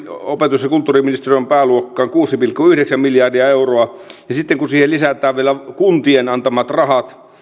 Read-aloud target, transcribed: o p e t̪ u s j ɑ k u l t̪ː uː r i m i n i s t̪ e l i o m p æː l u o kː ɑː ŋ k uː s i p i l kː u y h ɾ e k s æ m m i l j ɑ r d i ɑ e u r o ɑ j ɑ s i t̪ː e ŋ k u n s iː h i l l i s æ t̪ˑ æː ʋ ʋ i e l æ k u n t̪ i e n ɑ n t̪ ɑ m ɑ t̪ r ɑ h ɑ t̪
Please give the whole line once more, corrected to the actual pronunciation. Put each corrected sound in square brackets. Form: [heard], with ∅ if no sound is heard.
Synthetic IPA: o p e t̪ u s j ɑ k u l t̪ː uː r i m i n i s t̪ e [r] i o m p æː l u o kː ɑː ŋ k uː s i p i l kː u y h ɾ e k s æ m m i l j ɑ r d i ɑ e u r o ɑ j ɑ s i t̪ː e ŋ k u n s iː h [e] l l i s æ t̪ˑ æː ʋ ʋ i e l æ k u n t̪ i e n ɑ n t̪ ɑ m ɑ t̪ r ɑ h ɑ t̪